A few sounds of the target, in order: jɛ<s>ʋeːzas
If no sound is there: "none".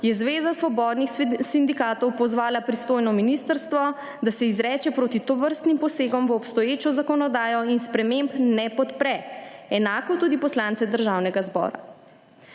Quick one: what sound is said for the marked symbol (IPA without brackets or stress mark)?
z